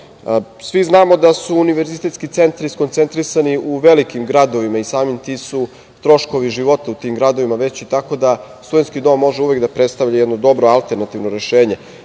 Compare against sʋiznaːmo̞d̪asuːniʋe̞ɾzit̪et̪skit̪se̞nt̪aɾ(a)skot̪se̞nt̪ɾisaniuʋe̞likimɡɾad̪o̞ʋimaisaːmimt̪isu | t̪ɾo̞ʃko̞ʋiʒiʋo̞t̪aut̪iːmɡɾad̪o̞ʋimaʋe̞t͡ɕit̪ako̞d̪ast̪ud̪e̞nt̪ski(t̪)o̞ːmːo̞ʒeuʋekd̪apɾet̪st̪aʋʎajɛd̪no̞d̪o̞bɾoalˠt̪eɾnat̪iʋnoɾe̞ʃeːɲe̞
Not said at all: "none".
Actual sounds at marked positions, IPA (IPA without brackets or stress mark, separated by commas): i, d̪